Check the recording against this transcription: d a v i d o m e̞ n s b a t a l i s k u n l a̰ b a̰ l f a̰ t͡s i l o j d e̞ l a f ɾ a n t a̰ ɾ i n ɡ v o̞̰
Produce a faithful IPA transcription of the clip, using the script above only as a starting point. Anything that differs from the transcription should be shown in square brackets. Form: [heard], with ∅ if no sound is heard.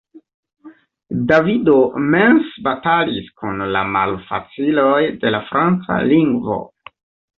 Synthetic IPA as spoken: d a v i d o m e̞ n s b a t a l i s k u n l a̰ [m] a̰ l f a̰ t͡s i l o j d e̞ l a f ɾ a n [t͡s] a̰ [l] i [ŋ] ɡ v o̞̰